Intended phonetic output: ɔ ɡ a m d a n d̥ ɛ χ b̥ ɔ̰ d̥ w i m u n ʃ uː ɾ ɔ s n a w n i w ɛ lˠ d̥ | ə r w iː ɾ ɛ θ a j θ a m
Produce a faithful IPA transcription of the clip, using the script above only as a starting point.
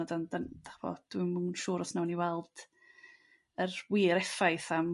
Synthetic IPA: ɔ d a n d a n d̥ a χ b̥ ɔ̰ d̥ w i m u n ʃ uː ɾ ɔ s n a w n i w ɛ lˠ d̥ | ə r w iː ɾ ɛ f a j θ a m